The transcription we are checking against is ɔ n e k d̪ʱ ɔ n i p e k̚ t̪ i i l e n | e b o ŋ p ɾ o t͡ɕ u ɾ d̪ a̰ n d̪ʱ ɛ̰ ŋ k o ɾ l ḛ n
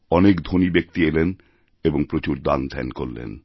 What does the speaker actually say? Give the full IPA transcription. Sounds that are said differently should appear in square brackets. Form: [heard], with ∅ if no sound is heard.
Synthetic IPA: ɔ n e k d̪ʱ [o] n i [b] e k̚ t̪ i [e] l e n | e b o ŋ p ɾ o t͡ɕ u ɾ d̪ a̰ n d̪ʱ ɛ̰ [n] k o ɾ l ḛ n